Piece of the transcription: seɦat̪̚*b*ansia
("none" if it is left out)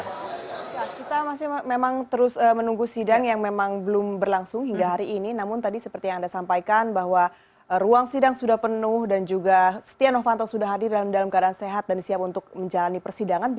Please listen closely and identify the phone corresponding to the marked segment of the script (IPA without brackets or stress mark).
d